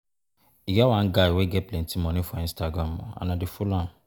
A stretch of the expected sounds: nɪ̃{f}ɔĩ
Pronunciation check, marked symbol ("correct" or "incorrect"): correct